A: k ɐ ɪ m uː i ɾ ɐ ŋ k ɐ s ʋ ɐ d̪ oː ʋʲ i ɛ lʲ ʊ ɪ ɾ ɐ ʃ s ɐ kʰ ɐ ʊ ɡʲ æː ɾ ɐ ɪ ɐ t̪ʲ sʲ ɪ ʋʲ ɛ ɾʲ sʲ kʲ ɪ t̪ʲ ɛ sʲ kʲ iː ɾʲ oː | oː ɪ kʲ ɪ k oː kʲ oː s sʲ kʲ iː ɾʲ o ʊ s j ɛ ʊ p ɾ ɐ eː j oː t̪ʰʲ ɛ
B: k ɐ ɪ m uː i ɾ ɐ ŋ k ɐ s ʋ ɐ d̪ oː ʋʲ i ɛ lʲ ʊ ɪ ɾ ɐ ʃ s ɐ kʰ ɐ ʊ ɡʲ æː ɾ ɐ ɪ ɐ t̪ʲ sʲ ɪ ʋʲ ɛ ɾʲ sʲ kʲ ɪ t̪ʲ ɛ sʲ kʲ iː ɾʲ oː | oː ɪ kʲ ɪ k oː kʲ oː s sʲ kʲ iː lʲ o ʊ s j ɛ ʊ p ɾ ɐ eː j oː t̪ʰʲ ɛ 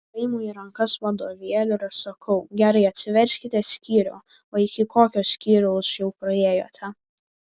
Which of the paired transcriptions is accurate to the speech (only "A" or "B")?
A